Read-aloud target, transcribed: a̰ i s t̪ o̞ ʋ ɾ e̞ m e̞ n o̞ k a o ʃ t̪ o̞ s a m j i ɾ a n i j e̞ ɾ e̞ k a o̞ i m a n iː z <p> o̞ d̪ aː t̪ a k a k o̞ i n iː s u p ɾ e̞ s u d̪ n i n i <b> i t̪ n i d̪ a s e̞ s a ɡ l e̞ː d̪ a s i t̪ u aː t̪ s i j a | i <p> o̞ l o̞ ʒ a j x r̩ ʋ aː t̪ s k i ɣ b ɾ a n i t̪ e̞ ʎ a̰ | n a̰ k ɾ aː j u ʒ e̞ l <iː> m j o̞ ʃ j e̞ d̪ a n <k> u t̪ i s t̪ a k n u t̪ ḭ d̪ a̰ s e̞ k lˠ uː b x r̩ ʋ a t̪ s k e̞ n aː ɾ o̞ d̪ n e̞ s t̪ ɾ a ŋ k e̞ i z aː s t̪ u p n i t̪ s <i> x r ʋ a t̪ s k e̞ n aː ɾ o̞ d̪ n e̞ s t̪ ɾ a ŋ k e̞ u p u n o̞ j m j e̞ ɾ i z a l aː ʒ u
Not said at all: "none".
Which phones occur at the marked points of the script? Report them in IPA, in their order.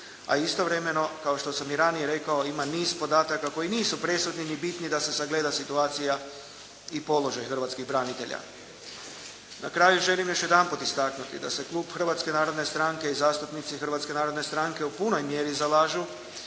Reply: p, b, p, i, p, i

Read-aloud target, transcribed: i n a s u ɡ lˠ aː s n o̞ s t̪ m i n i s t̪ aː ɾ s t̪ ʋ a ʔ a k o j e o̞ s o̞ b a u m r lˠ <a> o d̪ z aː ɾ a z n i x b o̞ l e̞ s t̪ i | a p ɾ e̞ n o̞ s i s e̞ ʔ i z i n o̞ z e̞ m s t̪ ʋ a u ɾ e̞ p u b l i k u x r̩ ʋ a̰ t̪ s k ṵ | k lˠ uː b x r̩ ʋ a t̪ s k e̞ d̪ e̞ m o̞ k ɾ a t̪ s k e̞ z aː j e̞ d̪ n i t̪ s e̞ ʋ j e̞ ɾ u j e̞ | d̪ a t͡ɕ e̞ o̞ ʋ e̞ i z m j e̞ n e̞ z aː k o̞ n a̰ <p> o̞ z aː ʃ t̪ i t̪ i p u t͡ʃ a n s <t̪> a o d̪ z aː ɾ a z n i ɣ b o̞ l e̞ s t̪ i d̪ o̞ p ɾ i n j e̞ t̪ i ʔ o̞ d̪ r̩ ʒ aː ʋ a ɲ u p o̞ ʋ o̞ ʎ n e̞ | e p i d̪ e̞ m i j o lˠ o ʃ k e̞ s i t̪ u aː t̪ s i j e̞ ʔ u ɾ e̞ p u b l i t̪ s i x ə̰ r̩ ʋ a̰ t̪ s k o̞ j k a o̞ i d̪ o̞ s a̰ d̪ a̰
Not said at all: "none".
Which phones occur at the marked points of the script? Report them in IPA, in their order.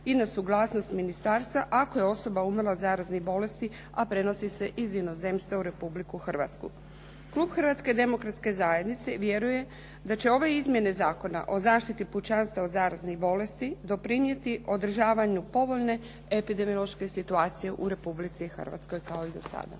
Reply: a, ʔ, t̪

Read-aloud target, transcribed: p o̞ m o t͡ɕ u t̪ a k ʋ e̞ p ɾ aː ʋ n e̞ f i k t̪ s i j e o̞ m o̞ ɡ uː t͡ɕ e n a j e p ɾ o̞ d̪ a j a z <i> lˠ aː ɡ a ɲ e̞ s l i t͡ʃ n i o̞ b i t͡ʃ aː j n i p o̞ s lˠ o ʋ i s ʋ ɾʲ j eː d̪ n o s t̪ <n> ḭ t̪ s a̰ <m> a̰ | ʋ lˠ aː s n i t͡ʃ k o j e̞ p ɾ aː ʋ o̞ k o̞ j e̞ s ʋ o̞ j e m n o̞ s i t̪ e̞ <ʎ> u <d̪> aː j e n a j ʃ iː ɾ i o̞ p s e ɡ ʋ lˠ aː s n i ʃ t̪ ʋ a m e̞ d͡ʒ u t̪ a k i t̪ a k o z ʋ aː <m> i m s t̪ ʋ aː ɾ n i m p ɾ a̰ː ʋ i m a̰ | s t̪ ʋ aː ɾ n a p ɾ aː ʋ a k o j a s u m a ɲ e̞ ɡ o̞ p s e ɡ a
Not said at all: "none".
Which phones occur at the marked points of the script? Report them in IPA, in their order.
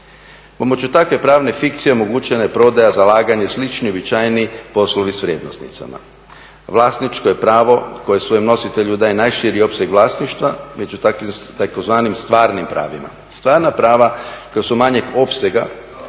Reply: a, n, m, ʎ, d̪, n

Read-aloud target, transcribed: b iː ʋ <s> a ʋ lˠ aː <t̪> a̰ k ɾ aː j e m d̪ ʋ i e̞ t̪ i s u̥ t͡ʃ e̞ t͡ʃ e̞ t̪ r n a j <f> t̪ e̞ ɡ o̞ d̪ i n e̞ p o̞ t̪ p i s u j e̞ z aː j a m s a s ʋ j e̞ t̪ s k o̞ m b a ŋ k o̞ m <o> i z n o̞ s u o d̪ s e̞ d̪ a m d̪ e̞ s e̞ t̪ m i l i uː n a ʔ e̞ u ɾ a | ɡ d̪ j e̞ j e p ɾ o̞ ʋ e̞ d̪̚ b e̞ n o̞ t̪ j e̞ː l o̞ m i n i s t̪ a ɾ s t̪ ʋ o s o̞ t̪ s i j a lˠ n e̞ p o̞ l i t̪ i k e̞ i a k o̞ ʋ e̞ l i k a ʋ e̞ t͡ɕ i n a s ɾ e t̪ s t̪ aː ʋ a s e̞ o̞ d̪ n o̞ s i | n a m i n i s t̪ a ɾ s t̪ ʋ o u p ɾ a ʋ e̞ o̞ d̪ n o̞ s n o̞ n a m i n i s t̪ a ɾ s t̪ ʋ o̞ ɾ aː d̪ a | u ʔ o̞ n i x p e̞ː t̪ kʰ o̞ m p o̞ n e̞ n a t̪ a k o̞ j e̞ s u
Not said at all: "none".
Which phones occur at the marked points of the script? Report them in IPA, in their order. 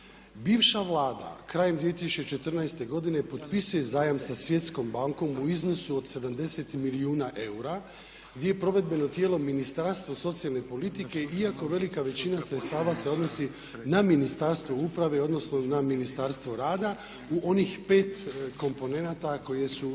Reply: ʃ, d̪, s, u

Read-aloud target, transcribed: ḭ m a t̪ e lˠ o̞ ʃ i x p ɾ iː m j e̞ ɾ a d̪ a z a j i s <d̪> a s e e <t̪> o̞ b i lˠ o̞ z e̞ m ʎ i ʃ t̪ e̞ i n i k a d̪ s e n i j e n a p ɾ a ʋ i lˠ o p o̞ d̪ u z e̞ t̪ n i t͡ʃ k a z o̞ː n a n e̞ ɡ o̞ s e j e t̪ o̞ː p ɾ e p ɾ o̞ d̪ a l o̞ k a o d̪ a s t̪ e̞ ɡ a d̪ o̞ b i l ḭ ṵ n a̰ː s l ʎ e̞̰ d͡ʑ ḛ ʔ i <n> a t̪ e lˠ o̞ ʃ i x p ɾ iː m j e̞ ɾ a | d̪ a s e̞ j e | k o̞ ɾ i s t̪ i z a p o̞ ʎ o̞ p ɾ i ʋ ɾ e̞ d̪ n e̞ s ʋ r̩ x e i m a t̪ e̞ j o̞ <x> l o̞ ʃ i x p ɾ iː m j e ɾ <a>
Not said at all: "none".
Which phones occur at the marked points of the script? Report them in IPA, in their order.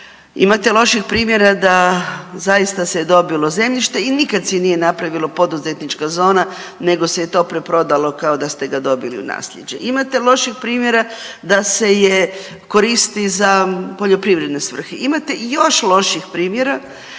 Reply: t̪, d̪, m, ʃ, a

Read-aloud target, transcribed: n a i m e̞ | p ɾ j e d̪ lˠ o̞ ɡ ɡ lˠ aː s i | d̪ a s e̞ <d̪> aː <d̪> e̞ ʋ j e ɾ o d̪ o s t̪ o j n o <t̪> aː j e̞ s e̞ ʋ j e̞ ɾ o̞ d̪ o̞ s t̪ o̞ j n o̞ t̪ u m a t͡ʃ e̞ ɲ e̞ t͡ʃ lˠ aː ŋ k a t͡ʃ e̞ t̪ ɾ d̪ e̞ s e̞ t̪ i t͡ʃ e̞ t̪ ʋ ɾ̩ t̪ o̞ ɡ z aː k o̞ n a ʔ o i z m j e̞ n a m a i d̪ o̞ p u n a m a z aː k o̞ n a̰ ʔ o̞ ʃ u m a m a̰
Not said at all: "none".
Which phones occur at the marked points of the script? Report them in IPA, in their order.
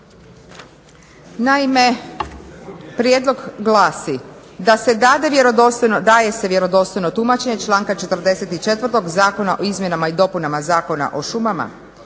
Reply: d̪, d̪, d̪

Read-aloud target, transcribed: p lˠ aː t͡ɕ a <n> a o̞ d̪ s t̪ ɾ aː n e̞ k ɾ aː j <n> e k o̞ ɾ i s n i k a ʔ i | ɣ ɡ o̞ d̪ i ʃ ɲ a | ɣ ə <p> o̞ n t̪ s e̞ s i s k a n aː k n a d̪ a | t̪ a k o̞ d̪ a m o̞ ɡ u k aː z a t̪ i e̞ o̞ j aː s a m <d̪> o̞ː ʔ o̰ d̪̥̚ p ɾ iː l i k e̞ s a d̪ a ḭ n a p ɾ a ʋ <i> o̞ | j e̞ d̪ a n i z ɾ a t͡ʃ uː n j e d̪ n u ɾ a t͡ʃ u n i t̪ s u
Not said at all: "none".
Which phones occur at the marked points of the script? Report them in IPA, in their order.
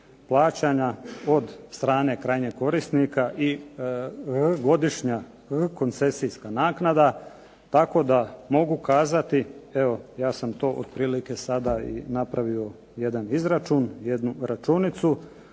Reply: ɲ, ɲ, k, t̪, i

